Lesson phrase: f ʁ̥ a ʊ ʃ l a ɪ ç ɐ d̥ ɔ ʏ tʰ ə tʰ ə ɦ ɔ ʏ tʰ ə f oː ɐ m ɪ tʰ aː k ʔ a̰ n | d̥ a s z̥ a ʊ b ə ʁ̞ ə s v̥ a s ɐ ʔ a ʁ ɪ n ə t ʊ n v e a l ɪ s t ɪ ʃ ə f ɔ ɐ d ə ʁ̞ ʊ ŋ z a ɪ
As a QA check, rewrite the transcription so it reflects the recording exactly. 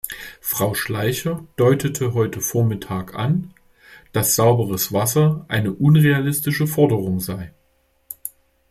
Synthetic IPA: f ʁ̥ a ʊ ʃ l a ɪ ç ɐ d̥ ɔ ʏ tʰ ə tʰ ə ɦ ɔ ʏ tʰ ə f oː ɐ m ɪ tʰ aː k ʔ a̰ n | d̥ a s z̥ a ʊ b ə ʁ̞ ə s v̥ a s ɐ ʔ a ɪ n ə ʔ ʊ n ʁ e a l ɪ s t ɪ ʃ ə f ɔ ɐ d ə ʁ̞ ʊ ŋ z a ɪ